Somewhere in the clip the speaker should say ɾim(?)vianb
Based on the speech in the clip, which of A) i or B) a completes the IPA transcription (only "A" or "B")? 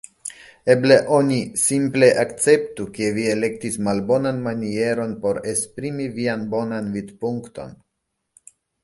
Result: A